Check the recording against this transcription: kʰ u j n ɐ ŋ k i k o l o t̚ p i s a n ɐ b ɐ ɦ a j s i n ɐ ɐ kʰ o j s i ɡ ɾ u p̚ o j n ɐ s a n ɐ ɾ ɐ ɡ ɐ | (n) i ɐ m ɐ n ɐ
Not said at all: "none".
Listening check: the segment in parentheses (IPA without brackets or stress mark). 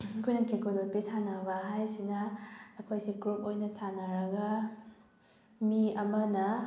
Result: m